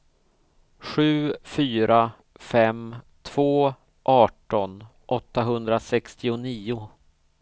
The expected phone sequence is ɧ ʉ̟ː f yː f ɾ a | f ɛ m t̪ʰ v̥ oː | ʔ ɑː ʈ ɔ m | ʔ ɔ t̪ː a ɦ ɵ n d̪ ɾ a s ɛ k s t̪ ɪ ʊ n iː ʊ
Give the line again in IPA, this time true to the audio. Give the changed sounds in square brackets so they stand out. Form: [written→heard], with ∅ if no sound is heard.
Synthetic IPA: ɧ ʉ̟ː f yː [f→∅] ɾ a | f ɛ m t̪ʰ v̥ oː | ʔ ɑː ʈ ɔ [m→n] | ʔ ɔ t̪ː a ɦ ɵ n d̪ ɾ a s ɛ k s t̪ ɪ ʊ n iː ʊ